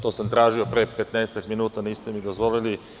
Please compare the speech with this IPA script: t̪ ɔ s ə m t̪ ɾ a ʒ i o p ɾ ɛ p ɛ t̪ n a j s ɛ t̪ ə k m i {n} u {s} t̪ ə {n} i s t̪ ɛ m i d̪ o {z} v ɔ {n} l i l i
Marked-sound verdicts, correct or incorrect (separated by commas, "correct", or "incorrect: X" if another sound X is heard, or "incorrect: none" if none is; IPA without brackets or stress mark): correct, incorrect: none, correct, correct, incorrect: none